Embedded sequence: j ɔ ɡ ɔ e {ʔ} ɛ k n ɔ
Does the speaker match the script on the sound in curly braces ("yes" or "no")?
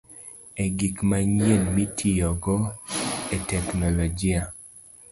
no